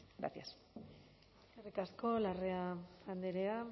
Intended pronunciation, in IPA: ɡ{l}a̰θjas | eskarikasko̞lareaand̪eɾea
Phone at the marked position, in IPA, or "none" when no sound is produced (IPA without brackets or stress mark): ɾ